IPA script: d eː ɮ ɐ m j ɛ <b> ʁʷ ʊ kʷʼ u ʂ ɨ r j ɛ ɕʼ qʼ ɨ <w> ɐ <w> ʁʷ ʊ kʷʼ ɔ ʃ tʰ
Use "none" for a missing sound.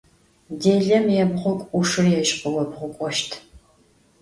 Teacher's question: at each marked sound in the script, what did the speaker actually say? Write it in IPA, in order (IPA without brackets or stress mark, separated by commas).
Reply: b, w, b